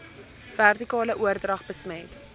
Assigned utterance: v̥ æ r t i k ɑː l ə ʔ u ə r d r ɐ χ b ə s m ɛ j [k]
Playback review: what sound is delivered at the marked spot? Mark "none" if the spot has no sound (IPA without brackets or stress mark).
t